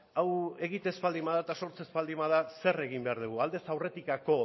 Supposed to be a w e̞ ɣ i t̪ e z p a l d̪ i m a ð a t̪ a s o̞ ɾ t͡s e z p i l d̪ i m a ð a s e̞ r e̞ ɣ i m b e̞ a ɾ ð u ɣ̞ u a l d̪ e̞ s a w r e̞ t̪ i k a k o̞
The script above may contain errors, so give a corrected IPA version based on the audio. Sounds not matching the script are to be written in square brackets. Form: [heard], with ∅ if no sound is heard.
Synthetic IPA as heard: a w e̞ ɣ i t̪ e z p a l d̪ i m a ð a t̪ a s o̞ ɾ t͡s e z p [a] l d̪ i m a ð a s e̞ r e̞ ɣ i m b e̞ a ɾ ð u ɣ̞ u a l d̪ e̞ s a w r e̞ t̪ i k a k o̞